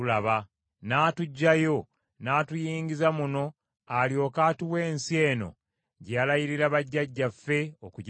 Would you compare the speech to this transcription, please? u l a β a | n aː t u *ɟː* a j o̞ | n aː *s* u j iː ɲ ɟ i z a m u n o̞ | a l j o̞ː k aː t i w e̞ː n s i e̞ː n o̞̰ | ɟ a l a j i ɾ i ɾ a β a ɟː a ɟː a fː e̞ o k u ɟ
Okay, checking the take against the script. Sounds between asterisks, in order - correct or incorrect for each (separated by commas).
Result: correct, incorrect